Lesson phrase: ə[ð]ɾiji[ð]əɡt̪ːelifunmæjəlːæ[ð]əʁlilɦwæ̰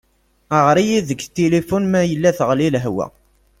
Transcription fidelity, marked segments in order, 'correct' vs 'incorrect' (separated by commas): incorrect, correct, incorrect